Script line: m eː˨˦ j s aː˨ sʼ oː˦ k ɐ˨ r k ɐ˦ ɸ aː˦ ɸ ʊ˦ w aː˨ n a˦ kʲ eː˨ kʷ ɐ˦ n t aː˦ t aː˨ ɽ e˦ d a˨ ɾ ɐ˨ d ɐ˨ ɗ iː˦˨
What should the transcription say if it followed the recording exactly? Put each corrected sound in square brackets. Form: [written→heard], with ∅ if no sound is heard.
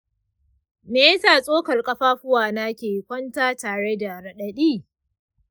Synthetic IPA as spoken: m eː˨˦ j s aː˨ sʼ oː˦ k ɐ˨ r [k→kʼ] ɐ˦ ɸ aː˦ ɸ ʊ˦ w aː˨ n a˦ kʲ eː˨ kʷ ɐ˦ n t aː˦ t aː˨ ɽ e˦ d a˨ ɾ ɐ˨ [d→ɗ] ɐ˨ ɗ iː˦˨